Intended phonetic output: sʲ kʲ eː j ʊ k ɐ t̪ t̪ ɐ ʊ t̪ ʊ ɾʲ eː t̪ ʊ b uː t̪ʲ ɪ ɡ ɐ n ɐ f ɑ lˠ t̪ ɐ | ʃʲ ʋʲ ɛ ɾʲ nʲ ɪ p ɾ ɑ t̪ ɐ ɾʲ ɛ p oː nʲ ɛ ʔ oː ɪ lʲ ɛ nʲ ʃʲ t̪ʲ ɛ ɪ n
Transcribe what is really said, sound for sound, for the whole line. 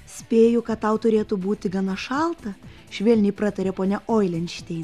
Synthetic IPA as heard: sʲ pʲ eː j ʊ k ɐ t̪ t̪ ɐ ʊ t̪ ʊ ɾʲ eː t̪ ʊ b uː t̪ʲ ɪ ɡ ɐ n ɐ ʃ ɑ lˠ t̪ ɐ | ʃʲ ʋʲ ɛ lʲ nʲ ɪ p ɾ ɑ t̪ ɐ ɾʲ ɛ p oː nʲ ɛ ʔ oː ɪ lʲ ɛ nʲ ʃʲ t̪ʲ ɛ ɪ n